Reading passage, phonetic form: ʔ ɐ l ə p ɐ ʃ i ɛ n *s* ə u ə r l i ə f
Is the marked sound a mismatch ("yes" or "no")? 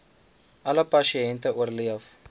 yes